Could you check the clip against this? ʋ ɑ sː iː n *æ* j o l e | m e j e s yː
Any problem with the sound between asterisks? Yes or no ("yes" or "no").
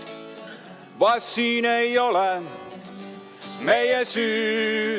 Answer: yes